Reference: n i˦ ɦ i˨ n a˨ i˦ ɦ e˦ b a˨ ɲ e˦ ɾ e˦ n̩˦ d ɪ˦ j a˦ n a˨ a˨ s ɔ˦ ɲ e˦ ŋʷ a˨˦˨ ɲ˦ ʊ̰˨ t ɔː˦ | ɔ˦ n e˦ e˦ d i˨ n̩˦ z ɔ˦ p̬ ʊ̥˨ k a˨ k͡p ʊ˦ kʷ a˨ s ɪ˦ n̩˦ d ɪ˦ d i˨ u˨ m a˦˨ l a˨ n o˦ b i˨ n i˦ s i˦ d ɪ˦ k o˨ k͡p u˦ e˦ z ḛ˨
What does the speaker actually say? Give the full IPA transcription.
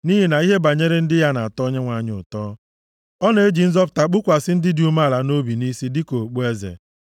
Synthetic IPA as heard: n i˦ ɦ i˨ n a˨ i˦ ɦ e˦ b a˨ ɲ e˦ ɾ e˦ n̩˦ d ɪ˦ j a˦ n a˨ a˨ t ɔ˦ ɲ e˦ ŋʷ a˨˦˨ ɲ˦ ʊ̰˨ t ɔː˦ | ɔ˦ n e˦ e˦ d͡ʒ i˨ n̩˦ z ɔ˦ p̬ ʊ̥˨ t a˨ k͡p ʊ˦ kʷ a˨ s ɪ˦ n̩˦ d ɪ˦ d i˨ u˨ m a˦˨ l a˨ n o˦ b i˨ n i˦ s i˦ d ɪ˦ k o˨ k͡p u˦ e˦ z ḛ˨